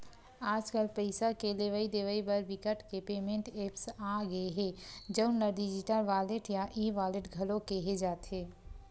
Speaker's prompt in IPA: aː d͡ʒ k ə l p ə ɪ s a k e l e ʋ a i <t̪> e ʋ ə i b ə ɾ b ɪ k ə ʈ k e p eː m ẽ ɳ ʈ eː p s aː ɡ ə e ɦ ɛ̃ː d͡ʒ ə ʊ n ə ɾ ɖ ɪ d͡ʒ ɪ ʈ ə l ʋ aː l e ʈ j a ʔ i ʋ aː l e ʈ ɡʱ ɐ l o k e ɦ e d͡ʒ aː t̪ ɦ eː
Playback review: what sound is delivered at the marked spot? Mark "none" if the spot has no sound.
d̪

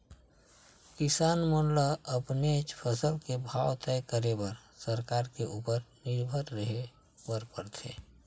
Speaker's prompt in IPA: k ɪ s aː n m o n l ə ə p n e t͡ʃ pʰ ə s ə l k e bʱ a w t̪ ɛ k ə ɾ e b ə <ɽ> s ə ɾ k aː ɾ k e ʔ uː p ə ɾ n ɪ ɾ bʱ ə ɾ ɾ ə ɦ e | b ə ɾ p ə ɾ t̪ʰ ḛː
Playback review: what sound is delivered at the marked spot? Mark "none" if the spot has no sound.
ɾ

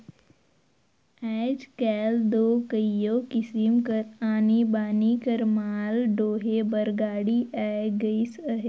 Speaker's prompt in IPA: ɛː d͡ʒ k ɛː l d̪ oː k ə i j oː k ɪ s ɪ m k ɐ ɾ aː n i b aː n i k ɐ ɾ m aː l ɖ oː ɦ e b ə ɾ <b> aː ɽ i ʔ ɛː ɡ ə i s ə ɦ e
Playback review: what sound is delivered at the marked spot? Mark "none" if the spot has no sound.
ɡ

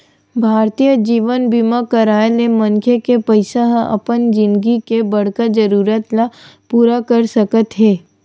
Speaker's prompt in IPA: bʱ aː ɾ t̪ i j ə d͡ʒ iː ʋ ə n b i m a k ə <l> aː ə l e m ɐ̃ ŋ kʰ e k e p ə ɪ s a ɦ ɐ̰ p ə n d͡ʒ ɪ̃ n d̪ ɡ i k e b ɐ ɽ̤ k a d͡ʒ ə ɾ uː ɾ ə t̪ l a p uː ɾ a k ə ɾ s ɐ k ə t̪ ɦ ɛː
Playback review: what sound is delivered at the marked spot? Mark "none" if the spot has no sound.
ɾ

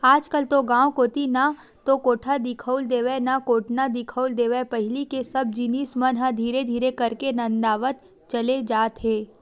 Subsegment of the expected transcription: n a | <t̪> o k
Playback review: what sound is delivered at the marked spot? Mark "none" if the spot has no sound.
t̪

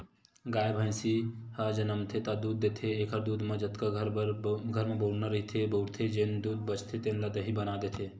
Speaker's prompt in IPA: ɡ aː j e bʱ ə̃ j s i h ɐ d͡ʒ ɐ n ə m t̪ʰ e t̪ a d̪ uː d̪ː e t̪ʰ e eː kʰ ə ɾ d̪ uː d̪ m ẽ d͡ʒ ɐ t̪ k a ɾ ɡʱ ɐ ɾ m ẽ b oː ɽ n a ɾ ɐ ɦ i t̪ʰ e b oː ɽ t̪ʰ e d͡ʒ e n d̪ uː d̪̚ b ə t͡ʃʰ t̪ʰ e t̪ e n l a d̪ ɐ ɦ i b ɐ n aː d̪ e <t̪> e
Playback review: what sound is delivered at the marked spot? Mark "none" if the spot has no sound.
t̪ʰ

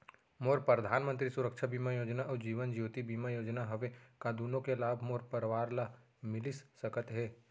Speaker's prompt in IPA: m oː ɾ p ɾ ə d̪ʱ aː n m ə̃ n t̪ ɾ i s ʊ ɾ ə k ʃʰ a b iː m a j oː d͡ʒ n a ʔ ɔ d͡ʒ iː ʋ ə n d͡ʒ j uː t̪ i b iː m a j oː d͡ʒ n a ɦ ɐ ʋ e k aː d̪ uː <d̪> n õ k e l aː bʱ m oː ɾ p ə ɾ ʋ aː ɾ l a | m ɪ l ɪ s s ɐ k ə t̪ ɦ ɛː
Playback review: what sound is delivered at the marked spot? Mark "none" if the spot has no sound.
none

